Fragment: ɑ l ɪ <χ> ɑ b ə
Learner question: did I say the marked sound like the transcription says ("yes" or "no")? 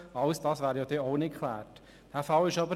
no